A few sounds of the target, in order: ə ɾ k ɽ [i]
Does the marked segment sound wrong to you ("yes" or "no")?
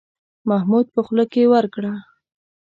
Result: yes